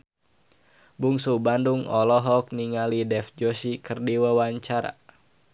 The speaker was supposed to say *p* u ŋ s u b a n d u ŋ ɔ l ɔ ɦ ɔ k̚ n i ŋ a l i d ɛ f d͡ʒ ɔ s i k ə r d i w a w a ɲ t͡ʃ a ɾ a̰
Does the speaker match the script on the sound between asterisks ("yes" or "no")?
no